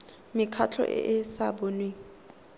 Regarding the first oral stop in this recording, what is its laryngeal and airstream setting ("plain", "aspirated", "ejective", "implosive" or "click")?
aspirated